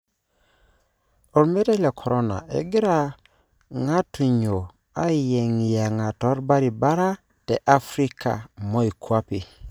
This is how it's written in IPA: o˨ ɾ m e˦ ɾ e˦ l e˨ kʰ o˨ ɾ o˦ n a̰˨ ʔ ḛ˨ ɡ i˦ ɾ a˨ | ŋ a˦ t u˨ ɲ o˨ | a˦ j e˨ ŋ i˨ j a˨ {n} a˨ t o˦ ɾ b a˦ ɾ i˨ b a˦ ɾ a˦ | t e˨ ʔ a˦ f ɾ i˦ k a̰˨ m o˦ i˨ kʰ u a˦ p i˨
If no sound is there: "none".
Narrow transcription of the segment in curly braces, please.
ŋ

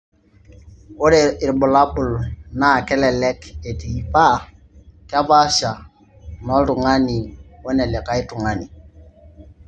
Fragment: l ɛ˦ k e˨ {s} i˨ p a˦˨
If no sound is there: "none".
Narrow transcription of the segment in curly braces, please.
t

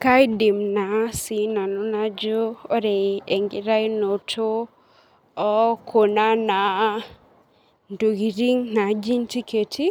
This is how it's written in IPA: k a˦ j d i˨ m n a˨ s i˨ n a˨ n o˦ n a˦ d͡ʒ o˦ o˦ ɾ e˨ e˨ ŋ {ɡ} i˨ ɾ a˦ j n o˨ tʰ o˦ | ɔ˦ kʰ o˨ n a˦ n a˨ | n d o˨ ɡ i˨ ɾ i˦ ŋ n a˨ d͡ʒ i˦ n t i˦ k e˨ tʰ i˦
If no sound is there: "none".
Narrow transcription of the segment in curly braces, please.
ɡ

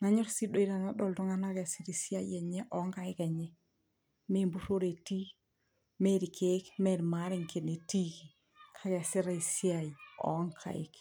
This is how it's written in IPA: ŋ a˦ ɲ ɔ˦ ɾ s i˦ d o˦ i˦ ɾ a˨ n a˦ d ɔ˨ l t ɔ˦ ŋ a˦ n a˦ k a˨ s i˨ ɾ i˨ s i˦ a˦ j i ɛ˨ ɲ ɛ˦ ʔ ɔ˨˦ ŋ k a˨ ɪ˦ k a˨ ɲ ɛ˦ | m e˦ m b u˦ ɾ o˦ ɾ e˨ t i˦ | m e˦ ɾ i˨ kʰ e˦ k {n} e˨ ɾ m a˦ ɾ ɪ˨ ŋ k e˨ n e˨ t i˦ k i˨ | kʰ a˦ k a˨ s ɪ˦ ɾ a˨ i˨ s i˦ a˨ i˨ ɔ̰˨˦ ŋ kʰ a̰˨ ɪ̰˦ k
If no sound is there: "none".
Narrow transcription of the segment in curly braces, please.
m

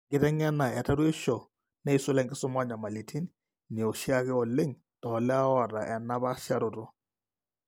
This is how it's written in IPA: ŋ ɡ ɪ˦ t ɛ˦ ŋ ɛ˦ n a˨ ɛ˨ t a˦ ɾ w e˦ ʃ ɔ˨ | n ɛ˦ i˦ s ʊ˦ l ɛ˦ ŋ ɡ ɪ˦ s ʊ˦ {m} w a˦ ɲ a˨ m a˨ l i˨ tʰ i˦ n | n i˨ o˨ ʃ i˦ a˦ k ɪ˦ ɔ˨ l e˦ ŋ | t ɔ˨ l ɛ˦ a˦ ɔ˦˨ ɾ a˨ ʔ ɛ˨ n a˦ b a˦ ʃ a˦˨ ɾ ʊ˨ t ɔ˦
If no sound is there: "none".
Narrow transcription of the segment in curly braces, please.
m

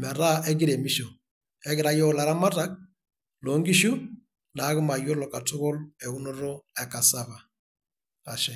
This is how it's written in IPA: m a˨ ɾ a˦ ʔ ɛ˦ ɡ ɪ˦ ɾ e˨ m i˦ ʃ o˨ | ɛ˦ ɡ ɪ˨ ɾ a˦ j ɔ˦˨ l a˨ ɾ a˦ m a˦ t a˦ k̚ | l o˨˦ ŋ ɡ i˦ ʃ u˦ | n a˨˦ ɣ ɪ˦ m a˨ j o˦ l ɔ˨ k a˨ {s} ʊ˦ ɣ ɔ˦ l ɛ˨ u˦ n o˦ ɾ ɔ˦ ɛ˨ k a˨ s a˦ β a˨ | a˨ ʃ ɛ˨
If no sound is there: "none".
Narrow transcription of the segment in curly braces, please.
t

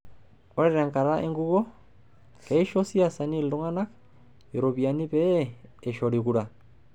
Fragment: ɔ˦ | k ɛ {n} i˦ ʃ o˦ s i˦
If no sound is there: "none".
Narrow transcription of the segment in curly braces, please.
none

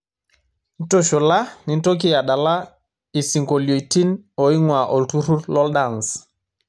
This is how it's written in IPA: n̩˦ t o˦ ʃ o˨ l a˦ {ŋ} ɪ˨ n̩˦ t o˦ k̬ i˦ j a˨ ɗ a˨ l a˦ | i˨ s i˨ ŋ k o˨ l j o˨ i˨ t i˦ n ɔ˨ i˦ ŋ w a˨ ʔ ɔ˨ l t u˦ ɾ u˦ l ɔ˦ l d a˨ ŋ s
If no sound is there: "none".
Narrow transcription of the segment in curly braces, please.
n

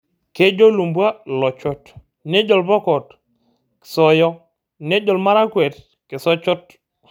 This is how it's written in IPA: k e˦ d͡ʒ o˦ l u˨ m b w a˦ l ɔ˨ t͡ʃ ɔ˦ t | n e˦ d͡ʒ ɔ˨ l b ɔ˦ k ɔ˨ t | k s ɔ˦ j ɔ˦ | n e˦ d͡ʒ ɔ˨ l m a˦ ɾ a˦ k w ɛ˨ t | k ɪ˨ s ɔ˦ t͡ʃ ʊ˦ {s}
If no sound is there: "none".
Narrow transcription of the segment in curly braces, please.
t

